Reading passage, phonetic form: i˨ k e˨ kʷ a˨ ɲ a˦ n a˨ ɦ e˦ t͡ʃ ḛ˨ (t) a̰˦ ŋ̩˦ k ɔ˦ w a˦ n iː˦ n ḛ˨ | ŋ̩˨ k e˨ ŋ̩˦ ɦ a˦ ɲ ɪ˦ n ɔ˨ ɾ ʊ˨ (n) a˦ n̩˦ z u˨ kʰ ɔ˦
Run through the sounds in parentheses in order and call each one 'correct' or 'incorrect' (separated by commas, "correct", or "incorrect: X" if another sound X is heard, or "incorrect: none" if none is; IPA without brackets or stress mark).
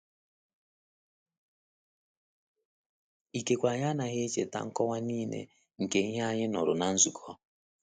correct, correct